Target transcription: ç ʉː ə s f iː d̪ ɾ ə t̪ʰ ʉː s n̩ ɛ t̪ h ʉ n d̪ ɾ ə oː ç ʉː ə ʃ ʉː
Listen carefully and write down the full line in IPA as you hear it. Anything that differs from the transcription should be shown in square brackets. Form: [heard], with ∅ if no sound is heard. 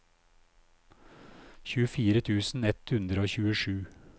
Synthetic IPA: ç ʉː ə [∅] f iː [∅] ɾ ə t̪ʰ ʉː s n̩ ɛ t̪ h ʉ n d̪ ɾ ə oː ç ʉː ə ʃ ʉː